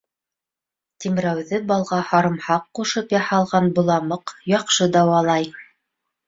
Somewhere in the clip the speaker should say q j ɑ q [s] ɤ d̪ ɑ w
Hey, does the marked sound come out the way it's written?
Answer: no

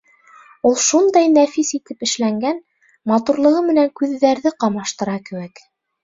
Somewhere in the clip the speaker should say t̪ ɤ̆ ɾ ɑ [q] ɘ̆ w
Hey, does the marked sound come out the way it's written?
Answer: no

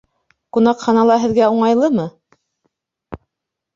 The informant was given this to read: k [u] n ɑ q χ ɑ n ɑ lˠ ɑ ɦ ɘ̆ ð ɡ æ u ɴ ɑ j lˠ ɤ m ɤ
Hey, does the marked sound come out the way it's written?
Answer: yes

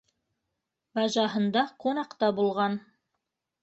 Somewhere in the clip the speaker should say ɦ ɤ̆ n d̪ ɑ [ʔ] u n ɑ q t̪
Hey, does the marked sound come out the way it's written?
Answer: no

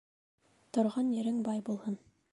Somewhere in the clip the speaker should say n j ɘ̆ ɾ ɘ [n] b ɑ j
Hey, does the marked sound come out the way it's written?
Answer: no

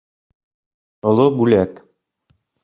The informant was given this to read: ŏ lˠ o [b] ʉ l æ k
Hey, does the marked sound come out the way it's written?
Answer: yes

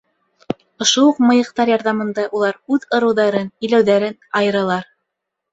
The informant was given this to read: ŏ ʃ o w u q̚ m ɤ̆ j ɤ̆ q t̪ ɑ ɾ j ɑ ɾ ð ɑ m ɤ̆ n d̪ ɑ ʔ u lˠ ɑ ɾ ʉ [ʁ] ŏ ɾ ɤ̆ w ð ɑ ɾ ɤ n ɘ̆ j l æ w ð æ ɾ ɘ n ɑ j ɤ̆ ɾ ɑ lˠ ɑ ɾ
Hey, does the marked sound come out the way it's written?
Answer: no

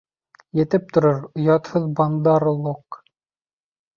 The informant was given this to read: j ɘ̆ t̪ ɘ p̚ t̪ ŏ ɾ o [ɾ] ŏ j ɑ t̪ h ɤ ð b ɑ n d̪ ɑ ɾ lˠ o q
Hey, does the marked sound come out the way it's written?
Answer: yes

